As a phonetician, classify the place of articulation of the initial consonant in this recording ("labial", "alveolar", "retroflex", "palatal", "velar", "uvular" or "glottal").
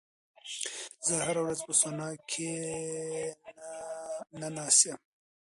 alveolar